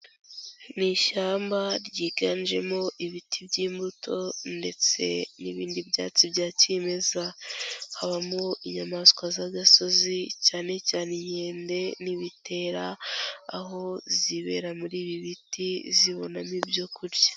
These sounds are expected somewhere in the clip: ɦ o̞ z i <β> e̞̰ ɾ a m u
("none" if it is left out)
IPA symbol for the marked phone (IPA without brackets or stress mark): β